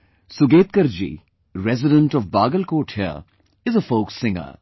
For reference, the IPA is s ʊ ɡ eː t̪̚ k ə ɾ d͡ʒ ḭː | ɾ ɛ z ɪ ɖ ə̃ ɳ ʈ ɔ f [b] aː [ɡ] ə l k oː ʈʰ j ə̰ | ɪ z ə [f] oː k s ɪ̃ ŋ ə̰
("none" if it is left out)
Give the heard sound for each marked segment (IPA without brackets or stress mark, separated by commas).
b, ɡ, f